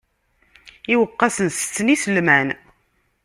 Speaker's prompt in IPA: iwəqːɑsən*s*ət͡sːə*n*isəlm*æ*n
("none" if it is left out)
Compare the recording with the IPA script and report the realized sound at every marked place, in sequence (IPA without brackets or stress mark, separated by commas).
s, n, æ